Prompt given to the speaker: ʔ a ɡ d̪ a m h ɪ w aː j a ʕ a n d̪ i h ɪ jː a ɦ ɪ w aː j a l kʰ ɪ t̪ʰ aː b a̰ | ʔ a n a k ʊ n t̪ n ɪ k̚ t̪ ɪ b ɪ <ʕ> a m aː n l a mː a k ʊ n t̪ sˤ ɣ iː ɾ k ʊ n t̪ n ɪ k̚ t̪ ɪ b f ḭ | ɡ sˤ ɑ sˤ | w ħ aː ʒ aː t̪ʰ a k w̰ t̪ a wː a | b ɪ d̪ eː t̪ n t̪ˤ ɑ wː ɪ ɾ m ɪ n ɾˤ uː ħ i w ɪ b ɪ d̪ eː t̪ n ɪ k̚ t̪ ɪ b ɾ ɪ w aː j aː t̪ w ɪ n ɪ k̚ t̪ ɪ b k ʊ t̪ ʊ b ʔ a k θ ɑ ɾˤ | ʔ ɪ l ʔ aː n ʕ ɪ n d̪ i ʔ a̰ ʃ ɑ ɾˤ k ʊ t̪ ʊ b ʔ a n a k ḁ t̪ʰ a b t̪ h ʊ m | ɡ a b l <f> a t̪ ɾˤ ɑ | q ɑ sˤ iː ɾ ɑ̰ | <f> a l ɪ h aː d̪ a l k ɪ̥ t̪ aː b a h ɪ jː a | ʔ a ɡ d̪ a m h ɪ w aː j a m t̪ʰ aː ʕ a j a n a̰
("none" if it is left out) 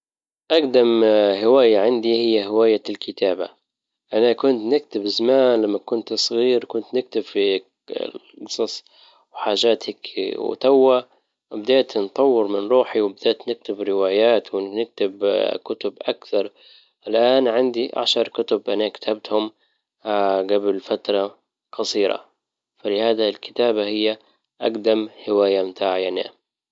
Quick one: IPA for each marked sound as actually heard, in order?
z, f, f

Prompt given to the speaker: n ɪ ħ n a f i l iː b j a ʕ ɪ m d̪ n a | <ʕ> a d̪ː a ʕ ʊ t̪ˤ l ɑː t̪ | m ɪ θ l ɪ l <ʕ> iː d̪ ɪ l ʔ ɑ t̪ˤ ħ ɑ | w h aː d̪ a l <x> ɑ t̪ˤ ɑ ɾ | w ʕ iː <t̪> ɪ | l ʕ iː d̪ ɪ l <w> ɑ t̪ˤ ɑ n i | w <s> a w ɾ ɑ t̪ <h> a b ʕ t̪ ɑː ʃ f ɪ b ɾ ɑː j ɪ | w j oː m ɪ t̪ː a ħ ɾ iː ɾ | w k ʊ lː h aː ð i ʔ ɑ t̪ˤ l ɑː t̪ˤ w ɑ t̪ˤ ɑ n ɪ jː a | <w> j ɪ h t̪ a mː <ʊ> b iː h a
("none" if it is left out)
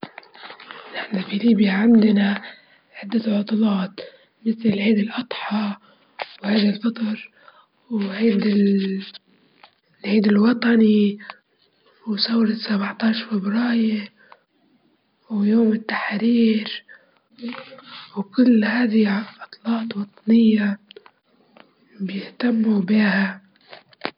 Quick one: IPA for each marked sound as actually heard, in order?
ʕ, ʕ, f, d̪, w, s, s, b, u

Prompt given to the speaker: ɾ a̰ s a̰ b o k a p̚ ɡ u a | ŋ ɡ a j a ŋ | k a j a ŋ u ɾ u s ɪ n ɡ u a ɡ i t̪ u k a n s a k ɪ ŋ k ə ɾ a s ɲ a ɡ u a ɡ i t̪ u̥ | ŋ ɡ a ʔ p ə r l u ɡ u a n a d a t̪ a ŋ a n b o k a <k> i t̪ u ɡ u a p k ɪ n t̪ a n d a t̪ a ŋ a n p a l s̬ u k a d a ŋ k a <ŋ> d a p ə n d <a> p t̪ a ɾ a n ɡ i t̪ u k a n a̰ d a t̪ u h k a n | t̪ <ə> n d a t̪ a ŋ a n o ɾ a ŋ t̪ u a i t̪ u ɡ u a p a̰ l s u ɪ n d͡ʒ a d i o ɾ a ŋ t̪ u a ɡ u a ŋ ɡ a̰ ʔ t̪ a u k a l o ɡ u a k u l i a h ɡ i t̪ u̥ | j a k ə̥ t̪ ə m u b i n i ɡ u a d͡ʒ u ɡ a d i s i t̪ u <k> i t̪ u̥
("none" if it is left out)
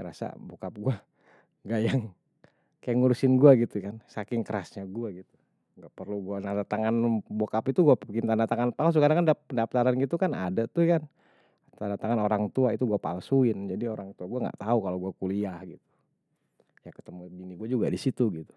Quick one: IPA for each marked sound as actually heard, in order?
p, n, a, a, ɡ

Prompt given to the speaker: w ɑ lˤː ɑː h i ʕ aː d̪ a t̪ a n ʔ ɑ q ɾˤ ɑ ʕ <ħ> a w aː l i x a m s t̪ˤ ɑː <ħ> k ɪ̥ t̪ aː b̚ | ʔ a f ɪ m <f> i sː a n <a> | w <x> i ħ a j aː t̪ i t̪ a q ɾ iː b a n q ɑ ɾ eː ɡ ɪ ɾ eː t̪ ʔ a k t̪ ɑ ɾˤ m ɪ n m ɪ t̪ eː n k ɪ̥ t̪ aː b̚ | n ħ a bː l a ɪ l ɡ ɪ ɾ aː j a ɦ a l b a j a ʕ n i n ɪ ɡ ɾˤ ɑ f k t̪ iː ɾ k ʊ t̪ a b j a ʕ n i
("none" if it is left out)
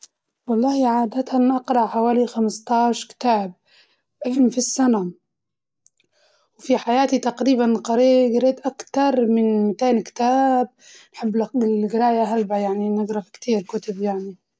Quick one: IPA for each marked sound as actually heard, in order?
ħ, ʃ, f, a, f

